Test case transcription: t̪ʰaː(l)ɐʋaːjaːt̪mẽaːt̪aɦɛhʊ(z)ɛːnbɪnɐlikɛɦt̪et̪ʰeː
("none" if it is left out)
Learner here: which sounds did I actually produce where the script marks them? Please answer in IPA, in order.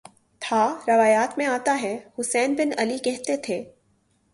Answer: ɾ, s

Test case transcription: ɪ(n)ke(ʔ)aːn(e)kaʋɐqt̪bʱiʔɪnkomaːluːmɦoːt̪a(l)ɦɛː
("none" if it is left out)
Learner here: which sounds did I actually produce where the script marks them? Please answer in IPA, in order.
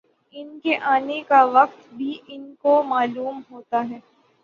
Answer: n, ʔ, e, none

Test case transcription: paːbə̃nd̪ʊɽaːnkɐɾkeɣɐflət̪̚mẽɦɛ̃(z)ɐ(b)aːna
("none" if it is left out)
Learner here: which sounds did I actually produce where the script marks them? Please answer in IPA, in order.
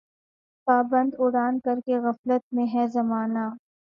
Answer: z, m

